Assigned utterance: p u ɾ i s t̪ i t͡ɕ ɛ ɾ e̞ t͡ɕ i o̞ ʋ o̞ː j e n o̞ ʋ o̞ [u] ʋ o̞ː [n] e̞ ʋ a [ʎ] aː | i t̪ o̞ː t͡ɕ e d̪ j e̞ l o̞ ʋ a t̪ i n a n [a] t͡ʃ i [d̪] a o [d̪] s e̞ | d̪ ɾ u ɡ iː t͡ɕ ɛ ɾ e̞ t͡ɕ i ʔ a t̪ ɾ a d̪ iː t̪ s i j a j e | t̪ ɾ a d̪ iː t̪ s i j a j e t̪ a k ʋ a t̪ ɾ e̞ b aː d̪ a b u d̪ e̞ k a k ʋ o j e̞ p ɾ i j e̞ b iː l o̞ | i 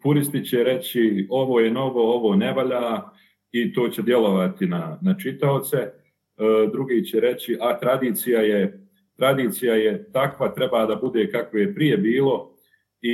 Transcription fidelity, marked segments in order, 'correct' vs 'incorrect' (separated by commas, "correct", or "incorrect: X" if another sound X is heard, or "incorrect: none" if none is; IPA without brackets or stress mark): incorrect: o, correct, correct, correct, incorrect: t̪, incorrect: t̪